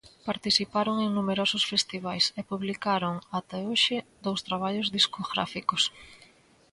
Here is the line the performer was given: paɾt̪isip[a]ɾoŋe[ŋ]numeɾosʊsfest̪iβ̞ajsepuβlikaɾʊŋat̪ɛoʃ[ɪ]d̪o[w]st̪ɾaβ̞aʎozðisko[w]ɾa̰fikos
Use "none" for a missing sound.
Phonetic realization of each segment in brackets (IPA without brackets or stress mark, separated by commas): a, ŋ, ɪ, w, ɣ